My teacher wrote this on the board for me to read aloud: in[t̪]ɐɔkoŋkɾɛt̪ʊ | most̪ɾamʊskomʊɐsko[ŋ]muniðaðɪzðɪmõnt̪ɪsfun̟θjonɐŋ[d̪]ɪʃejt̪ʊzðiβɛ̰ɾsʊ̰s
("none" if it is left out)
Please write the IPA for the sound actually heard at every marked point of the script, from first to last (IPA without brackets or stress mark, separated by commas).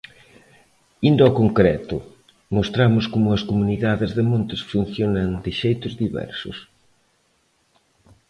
d̪, none, d̪